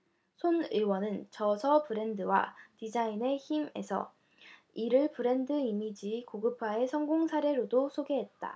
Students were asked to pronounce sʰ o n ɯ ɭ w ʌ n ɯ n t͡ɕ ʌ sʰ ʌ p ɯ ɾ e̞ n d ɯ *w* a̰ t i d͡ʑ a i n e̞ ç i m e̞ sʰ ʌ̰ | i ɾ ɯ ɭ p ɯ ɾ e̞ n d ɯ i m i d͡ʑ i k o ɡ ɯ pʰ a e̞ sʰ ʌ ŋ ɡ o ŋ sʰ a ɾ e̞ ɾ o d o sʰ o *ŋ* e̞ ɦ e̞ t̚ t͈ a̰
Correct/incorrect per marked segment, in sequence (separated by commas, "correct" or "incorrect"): correct, incorrect